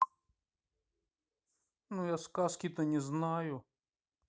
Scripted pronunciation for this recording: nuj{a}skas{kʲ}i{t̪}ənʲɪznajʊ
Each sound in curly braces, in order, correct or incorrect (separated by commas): correct, correct, correct